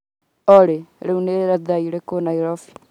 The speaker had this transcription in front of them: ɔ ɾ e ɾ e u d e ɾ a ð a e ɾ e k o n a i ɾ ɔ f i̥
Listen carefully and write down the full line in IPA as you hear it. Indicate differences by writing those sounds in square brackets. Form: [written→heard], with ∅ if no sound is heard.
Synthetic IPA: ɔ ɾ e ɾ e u [d→n] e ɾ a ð a [e→i] ɾ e k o n a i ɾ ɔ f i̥